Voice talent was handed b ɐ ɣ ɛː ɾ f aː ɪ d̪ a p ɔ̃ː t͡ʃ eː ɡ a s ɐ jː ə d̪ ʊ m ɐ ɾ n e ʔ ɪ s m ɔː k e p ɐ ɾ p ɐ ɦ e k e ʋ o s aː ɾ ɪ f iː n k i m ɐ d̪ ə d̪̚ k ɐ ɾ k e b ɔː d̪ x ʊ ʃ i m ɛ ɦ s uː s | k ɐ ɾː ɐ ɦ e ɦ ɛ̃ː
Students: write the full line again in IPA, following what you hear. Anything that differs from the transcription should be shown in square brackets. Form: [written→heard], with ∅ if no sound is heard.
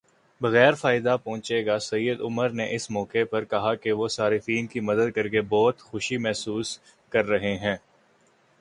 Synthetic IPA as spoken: b ɐ ɣ ɛː ɾ f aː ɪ d̪ a p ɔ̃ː t͡ʃ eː ɡ a s ɐ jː ə d̪ ʊ m [ɐ→ə] ɾ n e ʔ ɪ s m ɔː k e p ɐ ɾ [p→k] ɐ ɦ [e→a] k e ʋ o s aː ɾ ɪ f iː n k i m ɐ d̪ ə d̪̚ k ɐ ɾ k e b ɔː [d̪→t̪] x ʊ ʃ i m ɛ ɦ s uː s | k ɐ ɾː ɐ ɦ e ɦ ɛ̃ː